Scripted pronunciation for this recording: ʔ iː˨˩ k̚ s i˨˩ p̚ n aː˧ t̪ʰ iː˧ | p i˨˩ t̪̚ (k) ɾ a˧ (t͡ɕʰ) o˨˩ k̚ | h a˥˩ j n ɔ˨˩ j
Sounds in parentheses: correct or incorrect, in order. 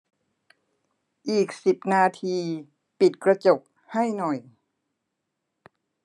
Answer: correct, incorrect: t͡ɕ

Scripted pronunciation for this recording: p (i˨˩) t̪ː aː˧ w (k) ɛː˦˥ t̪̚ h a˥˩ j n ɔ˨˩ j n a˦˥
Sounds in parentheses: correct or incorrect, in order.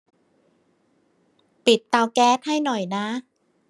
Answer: correct, correct

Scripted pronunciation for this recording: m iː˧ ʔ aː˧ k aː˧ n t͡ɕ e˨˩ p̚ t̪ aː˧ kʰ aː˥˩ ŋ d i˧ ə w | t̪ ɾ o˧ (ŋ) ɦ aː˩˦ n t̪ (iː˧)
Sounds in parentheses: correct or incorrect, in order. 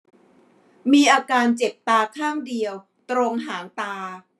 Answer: correct, incorrect: aː˧

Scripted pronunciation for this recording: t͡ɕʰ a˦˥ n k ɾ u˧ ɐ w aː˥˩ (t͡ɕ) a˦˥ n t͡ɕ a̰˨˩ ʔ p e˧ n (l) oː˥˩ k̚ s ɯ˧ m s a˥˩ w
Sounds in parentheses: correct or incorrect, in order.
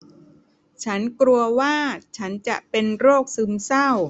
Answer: incorrect: t͡ɕʰ, incorrect: ɾ

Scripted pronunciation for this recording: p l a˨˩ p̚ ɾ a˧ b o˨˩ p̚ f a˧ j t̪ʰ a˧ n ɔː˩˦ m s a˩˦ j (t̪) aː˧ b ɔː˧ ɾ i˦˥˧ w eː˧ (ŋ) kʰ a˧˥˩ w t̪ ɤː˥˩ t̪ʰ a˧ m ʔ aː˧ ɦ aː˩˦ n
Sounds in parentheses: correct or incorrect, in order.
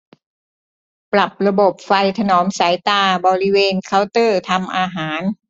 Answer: correct, incorrect: n

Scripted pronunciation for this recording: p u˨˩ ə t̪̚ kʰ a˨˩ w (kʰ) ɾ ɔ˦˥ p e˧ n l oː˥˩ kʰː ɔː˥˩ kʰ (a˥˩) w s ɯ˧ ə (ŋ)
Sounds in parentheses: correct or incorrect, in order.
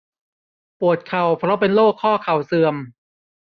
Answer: incorrect: pʰ, incorrect: a˨˩, incorrect: m

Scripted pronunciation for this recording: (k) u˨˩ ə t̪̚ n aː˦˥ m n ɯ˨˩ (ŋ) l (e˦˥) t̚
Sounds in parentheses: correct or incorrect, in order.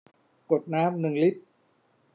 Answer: correct, correct, incorrect: i˦˥

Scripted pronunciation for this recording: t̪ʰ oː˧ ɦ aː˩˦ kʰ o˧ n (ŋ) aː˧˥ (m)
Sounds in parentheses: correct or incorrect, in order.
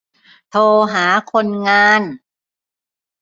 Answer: correct, incorrect: n

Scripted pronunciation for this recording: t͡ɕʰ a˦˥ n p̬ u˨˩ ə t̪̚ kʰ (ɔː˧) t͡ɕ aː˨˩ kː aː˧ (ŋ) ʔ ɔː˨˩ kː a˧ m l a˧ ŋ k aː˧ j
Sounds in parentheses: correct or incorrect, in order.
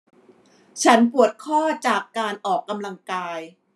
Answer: incorrect: ɔː˥˩, incorrect: n

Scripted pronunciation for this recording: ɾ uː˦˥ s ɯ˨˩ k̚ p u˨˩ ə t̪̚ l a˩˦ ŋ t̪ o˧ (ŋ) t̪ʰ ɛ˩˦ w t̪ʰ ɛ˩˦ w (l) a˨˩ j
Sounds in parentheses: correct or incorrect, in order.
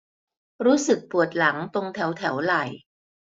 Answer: correct, correct

